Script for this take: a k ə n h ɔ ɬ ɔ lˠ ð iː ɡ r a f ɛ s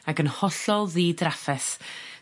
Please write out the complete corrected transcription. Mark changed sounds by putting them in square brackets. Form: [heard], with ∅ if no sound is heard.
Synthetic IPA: a [ɡ] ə n h ɔ ɬ ɔ lˠ ð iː [d] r a f ɛ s